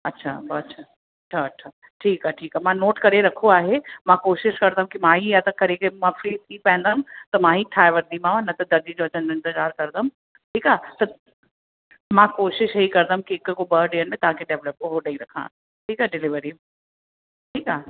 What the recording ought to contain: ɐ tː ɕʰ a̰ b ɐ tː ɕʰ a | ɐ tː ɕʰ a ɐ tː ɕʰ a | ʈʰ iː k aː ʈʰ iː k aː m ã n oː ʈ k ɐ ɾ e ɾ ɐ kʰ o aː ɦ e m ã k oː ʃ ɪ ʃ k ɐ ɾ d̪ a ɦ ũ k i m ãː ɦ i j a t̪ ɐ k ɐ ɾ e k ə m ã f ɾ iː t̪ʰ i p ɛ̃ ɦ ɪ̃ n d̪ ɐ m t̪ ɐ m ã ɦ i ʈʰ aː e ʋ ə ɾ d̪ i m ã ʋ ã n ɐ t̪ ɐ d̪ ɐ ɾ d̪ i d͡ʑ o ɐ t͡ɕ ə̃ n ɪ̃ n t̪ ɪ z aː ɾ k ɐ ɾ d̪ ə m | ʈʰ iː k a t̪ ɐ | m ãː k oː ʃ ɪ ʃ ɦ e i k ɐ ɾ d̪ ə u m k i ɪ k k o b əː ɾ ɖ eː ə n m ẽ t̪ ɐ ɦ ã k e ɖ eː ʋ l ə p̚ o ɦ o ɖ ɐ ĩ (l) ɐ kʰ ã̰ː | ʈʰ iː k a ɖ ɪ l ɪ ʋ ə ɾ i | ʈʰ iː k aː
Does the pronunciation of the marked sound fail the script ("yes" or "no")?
yes